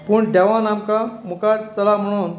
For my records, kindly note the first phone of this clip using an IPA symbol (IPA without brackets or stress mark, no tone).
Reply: p